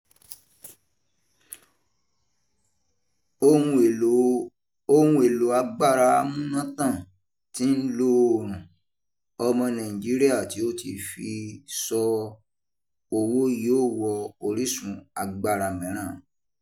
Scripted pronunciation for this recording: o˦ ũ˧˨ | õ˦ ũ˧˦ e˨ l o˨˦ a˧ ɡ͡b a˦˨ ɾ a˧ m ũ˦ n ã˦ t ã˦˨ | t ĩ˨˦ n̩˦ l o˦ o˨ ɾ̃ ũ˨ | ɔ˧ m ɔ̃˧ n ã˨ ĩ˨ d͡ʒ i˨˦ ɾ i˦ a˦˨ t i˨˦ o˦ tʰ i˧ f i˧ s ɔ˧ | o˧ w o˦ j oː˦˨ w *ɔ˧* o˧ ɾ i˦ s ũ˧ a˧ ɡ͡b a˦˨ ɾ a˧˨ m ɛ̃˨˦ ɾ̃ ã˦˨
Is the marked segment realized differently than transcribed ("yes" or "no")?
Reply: no